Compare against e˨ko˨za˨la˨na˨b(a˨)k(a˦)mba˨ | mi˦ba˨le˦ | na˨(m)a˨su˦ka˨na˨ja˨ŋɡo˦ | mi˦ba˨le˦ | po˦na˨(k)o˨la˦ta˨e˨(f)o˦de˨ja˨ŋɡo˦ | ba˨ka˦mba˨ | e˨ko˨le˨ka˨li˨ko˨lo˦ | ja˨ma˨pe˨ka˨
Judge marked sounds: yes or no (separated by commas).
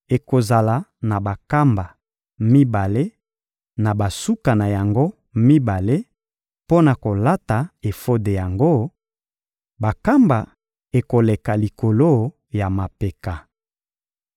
yes, yes, no, yes, yes